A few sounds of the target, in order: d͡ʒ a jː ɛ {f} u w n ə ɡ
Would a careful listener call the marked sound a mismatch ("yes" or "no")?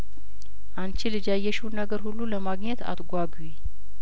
yes